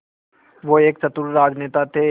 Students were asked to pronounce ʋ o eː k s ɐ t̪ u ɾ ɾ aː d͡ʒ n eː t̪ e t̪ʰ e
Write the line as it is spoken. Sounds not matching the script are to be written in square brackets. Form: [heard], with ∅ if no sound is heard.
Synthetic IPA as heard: ʋ o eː k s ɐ t̪ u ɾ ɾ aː d͡ʒ n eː t̪ [a] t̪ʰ e